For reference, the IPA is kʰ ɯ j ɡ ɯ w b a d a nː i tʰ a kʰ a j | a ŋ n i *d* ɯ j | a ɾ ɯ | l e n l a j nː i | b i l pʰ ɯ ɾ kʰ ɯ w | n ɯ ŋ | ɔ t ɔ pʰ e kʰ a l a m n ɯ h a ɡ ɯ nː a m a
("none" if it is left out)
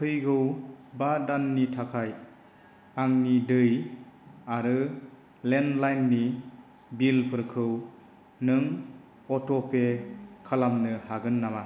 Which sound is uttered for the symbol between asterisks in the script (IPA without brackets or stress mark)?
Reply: d